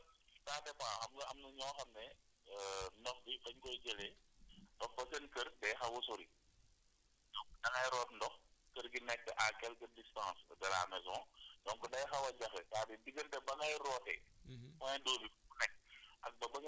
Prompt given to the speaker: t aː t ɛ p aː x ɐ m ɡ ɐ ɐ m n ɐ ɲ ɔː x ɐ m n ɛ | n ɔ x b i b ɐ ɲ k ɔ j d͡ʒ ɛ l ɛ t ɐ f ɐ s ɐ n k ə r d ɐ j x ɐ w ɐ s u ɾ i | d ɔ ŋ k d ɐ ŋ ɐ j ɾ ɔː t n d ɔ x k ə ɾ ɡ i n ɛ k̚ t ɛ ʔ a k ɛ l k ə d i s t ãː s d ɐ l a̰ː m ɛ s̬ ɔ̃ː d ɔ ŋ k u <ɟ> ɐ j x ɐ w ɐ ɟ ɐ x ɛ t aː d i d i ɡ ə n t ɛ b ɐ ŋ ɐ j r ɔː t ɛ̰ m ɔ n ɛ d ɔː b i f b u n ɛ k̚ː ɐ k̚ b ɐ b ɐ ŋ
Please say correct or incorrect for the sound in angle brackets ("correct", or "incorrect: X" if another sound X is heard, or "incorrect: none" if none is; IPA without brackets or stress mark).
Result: incorrect: d